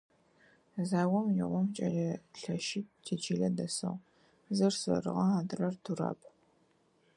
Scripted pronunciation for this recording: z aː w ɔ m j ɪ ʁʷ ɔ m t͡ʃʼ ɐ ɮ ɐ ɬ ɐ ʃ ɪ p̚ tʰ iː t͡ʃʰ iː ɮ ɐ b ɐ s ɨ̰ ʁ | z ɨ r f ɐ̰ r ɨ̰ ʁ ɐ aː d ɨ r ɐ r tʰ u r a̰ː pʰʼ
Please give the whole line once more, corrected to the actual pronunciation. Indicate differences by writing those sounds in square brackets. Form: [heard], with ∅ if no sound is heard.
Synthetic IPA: z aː w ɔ m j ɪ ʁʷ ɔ m t͡ʃʼ ɐ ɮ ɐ ɬ ɐ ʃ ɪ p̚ tʰ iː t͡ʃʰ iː ɮ ɐ [d] ɐ s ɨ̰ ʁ | z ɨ r [s] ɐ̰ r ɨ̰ ʁ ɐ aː d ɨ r ɐ r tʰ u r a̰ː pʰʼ